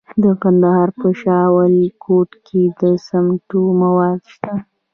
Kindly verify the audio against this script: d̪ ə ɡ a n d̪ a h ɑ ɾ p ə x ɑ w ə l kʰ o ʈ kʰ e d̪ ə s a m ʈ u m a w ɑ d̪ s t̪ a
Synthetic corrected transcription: d̪ ə k a n d̪ a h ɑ ɾ p ə ʃ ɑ w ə l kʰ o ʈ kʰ e d̪ ə s a m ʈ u m a w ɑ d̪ ʃ t̪ a